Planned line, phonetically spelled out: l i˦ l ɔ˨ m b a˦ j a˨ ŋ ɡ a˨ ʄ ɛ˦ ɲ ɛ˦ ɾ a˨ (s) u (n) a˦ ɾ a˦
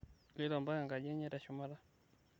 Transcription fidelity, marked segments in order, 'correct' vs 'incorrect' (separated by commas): incorrect, incorrect